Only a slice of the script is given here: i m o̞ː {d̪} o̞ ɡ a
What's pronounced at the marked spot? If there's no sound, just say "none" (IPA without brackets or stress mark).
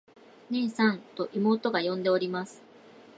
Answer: t̪